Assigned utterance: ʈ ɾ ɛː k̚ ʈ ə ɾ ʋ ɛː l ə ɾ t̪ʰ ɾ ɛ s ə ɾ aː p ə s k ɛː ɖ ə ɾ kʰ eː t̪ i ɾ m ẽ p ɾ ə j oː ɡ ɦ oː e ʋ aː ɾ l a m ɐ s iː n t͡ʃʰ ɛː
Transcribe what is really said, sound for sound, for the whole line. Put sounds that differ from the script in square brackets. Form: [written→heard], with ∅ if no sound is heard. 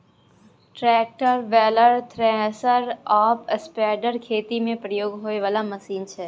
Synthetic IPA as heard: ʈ ɾ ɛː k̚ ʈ ə ɾ ʋ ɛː l ə ɾ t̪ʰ ɾ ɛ s ə ɾ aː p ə s [k→p] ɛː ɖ ə ɾ kʰ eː t̪ i [ɾ→∅] m ẽ p ɾ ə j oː ɡ ɦ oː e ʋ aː [ɾ→∅] l a m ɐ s iː n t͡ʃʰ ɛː